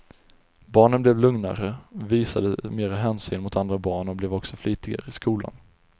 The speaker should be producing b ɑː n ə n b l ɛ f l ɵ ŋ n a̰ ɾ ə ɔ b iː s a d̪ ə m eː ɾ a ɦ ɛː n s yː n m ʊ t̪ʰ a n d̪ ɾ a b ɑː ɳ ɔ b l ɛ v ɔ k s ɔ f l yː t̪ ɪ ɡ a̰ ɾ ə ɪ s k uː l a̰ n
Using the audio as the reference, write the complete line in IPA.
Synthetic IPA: b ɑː ɳ ə n b l ɛ v l ɵ ŋ n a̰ ɾ ə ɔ v iː s a d̪ ə m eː ɾ a ɦ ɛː n s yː n m ʊ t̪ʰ a n d̪ ɾ a b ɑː ɳ ɔ b l ɛ v ɔ k s ɔ f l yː t̪ ɪ ɡ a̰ ɾ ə ɪ s k uː l a̰ n

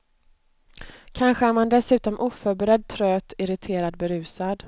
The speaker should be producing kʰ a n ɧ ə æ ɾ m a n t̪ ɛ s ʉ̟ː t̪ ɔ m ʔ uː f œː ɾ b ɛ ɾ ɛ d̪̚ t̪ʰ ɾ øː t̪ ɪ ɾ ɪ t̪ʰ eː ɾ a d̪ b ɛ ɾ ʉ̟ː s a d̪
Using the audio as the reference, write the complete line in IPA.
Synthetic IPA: kʰ a n ɧ ə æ ɾ m a n d̪ ɛ s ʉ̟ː t̪ ɔ m ʔ uː f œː ɾ b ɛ ɾ ɛ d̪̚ t̪ʰ ɾ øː t̪ ɪ ɾ ɪ t̪ʰ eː ɾ a d̪ b ɛ ɾ ʉ̟ː s a d̪

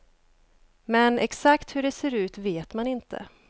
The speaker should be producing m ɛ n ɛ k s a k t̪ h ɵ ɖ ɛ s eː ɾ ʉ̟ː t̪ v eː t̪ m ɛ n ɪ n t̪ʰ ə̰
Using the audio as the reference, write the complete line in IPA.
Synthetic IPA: m ɛ n ɛ k s a k t̪ h ɵ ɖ ɛ s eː ɾ ʉ̟ː t̪ v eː t̪ m a n ɪ n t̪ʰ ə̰

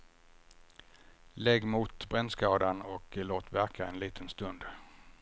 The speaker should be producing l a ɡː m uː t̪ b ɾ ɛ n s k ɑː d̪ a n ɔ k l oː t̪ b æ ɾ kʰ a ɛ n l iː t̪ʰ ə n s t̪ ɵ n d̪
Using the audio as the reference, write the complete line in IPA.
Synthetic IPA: l ɛ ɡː m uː t̪ b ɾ ɛ n s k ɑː d̪ a n ɔ k l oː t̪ v æ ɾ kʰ a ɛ n l iː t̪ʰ ə n s t̪ ɵ n d̪

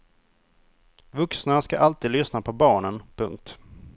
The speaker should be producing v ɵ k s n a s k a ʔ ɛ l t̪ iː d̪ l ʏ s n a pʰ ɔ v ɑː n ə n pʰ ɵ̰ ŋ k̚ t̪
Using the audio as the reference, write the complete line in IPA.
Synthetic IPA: v ɵ k s n a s k a ʔ a l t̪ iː d̪ l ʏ s n a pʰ ɔ b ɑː ɳ ə n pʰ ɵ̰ ŋ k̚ t̪

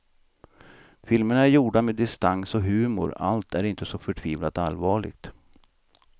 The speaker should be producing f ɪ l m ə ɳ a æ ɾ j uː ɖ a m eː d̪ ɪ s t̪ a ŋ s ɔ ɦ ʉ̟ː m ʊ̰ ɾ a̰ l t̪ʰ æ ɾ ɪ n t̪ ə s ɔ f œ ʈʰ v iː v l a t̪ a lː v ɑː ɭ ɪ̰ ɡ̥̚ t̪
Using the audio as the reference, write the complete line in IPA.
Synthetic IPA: f ɪ l m ə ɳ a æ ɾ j uː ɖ a m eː d̪ ɪ s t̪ a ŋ s ɔ ɦ ʉ̟ː m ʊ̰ ɾ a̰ l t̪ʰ æ ɾ ɪ n t̪ ə s ɔ f œ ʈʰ v iː v l a t̪ a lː v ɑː ɭ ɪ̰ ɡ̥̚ t̪

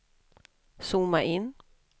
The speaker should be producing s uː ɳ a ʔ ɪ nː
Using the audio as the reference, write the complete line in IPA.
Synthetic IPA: s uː m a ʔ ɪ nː

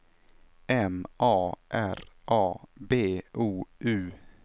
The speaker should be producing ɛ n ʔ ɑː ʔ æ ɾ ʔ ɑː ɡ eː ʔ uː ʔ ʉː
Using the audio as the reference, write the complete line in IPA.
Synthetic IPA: ɛ m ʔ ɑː ʔ æ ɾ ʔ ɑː b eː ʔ uː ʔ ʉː

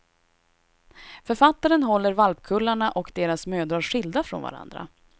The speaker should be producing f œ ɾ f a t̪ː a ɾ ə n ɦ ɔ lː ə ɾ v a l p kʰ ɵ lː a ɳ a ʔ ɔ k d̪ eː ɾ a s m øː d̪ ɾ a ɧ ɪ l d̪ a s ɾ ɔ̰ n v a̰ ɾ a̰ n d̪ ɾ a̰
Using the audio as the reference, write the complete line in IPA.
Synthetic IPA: f œ ɾ f a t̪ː a ɾ ə n ɦ ɔ lː ə ɾ v a l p kʰ ɵ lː a ɳ a ʔ ɔ k d̪ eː ɾ a s m øː d̪ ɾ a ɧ ɪ l d̪ a f ɾ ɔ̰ n v a̰ ɾ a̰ n d̪ ɾ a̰

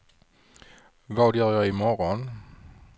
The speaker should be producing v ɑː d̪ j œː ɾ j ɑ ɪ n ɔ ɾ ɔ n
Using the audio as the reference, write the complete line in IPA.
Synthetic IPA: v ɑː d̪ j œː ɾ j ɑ ɪ m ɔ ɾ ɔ n

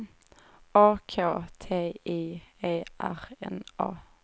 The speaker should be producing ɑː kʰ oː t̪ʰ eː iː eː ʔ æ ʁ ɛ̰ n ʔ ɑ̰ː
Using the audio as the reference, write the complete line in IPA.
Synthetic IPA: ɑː kʰ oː t̪ʰ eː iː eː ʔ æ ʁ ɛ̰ n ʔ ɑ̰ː

